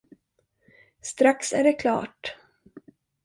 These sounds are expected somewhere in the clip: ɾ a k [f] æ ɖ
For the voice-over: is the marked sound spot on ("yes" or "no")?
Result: no